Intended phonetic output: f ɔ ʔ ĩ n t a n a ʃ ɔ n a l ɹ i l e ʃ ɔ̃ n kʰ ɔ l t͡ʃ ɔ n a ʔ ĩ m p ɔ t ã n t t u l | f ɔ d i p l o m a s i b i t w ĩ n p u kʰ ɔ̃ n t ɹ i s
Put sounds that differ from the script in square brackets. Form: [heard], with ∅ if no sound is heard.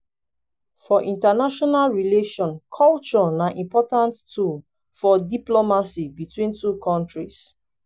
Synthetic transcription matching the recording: f ɔ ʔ ĩ n t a n a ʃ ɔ n a l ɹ i l e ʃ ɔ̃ n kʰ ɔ l t͡ʃ ɔ n a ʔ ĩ m p ɔ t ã n t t u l | f ɔ d i p l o m a s i b i t w ĩ n [t] u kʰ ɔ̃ n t ɹ i s